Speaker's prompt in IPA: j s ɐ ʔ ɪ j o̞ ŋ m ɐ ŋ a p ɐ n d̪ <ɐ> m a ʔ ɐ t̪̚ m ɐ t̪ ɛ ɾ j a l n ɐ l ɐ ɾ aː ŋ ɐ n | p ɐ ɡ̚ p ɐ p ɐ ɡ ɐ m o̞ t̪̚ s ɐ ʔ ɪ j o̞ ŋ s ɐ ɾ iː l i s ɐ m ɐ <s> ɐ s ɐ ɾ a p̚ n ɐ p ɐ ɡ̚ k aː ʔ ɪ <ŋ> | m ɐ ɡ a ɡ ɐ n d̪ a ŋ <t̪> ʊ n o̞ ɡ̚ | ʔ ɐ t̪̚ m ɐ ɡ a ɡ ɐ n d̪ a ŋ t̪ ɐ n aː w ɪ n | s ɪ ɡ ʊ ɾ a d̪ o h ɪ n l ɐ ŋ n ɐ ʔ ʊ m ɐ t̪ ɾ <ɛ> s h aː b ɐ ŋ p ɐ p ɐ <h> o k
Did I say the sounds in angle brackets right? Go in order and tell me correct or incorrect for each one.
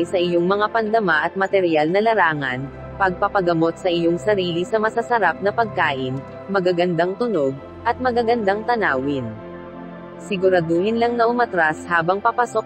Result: correct, correct, incorrect, correct, incorrect, incorrect

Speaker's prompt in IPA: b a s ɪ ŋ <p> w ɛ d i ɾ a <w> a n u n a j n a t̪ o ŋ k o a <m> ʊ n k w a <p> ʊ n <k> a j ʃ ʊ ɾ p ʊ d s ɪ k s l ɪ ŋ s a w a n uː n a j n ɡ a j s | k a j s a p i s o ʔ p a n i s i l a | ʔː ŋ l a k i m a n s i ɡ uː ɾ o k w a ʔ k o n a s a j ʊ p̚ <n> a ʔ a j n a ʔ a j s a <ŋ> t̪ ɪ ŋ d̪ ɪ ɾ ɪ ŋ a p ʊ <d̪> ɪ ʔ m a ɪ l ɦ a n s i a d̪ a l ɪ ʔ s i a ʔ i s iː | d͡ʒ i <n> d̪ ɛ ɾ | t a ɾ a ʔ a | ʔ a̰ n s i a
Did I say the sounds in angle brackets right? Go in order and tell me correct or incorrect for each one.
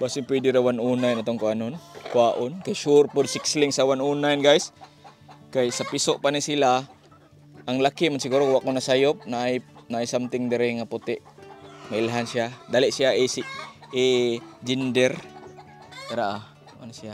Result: correct, correct, incorrect, incorrect, correct, correct, incorrect, incorrect, correct

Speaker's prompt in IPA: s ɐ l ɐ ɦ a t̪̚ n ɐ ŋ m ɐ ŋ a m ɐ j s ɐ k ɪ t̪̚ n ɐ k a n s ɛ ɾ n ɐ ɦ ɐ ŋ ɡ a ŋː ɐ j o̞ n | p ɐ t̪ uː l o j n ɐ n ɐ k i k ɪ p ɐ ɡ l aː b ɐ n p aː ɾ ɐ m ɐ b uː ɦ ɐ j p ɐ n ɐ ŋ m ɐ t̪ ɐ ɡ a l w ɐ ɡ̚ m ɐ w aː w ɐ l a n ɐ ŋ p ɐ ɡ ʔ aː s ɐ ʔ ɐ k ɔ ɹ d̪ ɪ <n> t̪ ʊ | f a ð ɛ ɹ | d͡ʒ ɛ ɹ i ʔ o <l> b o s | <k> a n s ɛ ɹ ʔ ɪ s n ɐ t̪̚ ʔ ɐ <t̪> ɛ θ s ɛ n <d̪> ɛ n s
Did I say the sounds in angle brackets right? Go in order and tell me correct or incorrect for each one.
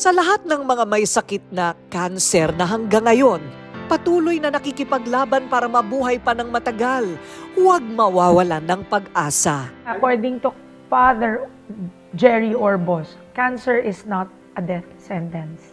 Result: incorrect, incorrect, correct, incorrect, incorrect

